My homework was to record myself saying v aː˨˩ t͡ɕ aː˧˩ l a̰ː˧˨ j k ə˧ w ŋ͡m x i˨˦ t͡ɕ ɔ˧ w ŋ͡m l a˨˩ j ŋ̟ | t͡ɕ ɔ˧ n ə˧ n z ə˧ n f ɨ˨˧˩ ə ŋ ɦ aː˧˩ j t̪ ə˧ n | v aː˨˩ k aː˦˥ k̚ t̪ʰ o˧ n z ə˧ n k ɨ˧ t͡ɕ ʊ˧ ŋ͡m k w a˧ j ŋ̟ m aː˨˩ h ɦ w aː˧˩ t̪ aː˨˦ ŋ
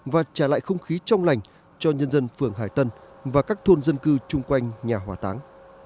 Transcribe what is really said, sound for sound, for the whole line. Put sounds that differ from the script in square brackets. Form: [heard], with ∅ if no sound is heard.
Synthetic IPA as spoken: v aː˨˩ t͡ɕ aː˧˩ l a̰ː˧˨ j [x] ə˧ w ŋ͡m x i˨˦ t͡ɕ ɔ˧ w ŋ͡m l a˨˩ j ŋ̟ | t͡ɕ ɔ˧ [ɲ] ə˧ n z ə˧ n f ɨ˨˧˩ ə ŋ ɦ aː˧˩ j t̪ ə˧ n | v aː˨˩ k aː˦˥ k̚ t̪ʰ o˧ n z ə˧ n k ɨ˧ t͡ɕ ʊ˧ ŋ͡m k w a˧ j ŋ̟ [ɲ] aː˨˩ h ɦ w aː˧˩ t̪ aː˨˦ ŋ